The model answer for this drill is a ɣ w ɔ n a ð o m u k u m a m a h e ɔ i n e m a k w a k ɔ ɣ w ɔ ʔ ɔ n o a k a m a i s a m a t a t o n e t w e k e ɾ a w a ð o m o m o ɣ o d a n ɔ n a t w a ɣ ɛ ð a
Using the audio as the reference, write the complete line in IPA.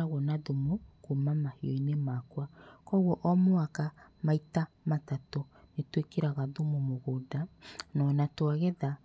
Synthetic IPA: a ɣ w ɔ n a ð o m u k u m a m a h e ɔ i n e m a k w a k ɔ ɣ w ɔ ʔ ɔ m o a k a m a i t a m a t a t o n e t w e k e ɾ a ɣ a ð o m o m o ɣ o d a n ɔ n a t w a ɣ ɛ ð a

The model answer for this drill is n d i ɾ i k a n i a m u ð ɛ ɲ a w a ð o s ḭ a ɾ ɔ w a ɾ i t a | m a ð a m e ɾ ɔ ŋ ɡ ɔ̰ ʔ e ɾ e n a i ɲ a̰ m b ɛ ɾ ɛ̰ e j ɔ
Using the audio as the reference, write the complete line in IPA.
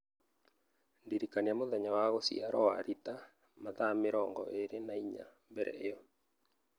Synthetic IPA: n d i ɾ i k a n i a m o ð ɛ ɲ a w a ɣ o s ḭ a ɾ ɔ w a ɾ i t a | m a ð a m e ɾ ɔ ŋ ɡ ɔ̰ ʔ e ɾ e n a i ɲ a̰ m b ɛ ɾ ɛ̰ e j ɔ

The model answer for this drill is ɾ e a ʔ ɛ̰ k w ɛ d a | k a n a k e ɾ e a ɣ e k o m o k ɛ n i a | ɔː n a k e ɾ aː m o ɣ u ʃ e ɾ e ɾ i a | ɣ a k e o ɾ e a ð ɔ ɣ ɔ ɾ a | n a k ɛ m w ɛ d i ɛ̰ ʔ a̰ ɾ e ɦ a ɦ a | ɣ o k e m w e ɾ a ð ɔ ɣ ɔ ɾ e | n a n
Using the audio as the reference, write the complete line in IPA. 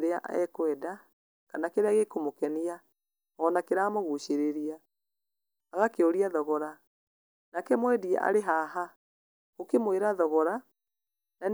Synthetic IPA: ɾ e a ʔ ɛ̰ k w ɛ d a | k a n a k e ɾ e a ɣ e k o m o k ɛ n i a | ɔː n a k e ɾ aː m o ɣ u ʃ e ɾ e ɾ i a | ɣ a k e o ɾ i a ð ɔ ɣ ɔ ɾ a | n a k ɛ m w ɛ d i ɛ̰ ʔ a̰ ɾ e ɦ a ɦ a | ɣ o k e m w e ɾ a ð ɔ ɣ ɔ ɾ a | n a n

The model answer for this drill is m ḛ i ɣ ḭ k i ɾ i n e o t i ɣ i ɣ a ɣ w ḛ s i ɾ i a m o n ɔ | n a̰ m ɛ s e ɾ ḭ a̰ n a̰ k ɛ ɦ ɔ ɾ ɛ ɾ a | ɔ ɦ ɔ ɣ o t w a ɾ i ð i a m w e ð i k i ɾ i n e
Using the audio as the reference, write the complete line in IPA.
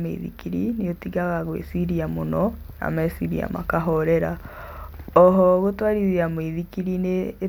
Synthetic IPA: m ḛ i ð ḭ k i ɾ i n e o t i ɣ a ɣ a ɣ w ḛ s i ɾ i a m o n ɔ | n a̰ m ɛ s i ɾ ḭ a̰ m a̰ k a ɦ ɔ ɾ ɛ ɾ a | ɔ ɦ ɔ ɣ o t w a ɾ i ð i a m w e ð i k i ɾ i n e

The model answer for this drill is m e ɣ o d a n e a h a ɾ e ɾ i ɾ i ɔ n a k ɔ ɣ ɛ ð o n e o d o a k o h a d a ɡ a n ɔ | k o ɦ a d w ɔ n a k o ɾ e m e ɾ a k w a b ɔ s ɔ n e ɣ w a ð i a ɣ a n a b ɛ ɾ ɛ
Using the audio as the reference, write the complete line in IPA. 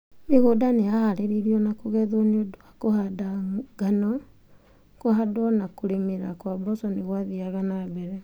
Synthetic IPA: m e ɣ o d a n e a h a ɾ e ɾ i ɾ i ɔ n a k o ɣ ɛ ð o n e o d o a k o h a d a ɡ a n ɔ | k o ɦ a d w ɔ n a k o ɾ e m e ɾ a k w a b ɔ s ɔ n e ɣ w a ð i a ɣ a n a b ɛ ɾ ɛ

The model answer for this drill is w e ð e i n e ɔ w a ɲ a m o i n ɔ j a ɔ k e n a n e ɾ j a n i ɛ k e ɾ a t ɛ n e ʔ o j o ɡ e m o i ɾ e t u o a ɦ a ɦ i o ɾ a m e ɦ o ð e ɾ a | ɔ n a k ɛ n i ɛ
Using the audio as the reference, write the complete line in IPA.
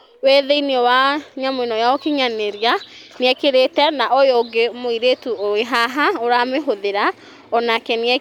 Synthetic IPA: w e ð e i n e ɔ w a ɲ a m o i n ɔ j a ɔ k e ɲ a n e ɾ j a n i ɛ k e ɾ e t ɛ n a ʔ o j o ɡ e m o i ɾ e t u o e ɦ a ɦ a o ɾ a m e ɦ o ð e ɾ a | ɔ n a k ɛ n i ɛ

